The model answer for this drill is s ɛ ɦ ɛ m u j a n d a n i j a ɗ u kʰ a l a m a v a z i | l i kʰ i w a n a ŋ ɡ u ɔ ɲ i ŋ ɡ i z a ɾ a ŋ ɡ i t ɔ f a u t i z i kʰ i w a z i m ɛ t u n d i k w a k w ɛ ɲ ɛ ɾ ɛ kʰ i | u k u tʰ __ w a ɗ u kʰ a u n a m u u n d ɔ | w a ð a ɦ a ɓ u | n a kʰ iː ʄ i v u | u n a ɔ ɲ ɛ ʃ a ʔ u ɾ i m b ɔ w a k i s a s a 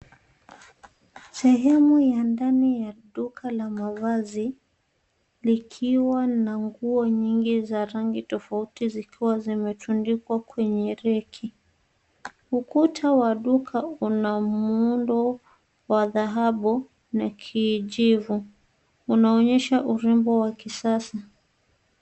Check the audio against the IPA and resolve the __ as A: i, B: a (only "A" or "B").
B